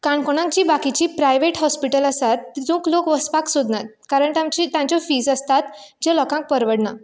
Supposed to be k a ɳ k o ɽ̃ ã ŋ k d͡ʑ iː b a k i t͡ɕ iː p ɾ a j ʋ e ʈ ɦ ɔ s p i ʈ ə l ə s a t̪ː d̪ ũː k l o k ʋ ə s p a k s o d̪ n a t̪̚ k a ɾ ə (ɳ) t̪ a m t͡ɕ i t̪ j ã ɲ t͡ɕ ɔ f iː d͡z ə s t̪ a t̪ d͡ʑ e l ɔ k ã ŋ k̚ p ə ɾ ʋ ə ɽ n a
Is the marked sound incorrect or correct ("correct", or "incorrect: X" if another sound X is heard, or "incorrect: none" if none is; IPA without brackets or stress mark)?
correct